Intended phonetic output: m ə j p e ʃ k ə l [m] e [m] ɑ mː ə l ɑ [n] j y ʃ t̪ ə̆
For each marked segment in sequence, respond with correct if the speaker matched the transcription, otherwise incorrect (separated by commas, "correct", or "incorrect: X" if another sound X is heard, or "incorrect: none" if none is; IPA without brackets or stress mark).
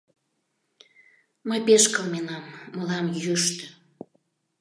correct, incorrect: n, incorrect: m